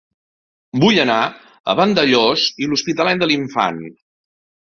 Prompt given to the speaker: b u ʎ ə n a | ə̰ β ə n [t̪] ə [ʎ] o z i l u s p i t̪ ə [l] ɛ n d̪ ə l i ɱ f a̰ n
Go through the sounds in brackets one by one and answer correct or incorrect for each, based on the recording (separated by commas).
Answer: incorrect, correct, correct